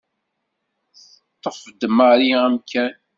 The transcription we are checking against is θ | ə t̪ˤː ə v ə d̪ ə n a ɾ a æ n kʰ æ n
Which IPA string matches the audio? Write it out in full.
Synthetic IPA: θ | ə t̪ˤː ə f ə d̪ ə m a ɾ i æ m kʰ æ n